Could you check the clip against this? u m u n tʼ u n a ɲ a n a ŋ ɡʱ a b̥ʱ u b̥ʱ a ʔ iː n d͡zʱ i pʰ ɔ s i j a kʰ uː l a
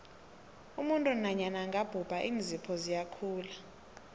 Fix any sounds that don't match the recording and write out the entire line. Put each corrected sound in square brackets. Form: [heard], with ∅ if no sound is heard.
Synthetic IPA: u m u n tʼ u n a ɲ a n a ŋ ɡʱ a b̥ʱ u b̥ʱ a ʔ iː n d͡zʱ i pʰ ɔ [z] i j a kʰ uː l a